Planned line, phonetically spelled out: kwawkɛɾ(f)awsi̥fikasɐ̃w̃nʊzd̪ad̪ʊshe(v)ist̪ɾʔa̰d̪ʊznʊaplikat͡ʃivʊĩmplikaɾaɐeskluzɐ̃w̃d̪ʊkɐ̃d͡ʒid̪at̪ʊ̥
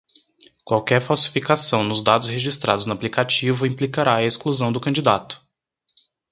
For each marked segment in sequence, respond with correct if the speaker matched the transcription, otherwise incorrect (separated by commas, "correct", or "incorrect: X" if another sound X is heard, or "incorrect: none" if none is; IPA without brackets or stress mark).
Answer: correct, incorrect: ʒ